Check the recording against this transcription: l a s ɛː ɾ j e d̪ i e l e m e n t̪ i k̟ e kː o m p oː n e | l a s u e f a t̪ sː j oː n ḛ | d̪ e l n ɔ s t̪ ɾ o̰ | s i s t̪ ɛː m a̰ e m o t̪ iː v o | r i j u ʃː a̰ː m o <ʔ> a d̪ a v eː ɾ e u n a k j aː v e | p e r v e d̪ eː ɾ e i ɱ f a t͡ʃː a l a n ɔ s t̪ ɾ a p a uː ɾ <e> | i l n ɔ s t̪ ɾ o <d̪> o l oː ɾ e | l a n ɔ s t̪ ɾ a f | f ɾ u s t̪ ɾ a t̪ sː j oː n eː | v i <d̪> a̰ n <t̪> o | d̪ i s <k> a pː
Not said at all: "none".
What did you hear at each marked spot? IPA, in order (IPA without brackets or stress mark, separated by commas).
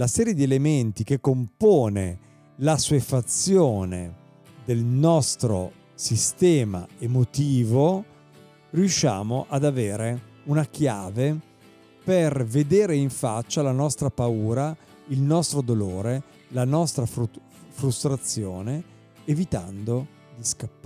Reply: ʔ, a, d̪, t̪, d̪, k